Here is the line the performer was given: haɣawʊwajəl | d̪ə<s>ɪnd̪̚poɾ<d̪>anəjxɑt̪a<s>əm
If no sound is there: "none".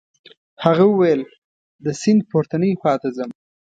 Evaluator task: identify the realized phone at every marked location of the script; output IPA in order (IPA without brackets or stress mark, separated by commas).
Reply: s, t̪, z